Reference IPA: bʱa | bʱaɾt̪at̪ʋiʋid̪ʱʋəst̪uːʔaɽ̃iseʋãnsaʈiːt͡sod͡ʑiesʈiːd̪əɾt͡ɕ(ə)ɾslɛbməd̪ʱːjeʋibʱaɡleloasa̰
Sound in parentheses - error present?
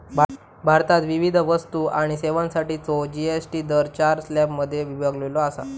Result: yes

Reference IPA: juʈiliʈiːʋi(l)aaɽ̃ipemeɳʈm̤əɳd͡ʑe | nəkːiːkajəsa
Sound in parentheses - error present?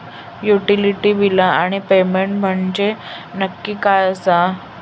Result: no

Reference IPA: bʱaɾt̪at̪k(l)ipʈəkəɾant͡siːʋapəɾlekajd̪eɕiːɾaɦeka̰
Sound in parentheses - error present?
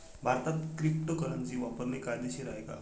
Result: yes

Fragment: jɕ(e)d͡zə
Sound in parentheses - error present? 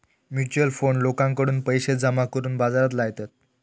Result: no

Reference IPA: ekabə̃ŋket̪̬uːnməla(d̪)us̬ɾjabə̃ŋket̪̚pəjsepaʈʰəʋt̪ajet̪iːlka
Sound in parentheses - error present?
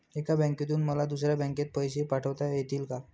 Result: no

